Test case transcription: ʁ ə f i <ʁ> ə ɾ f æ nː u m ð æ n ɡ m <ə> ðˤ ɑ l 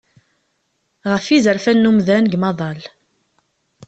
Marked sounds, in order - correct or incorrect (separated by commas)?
incorrect, incorrect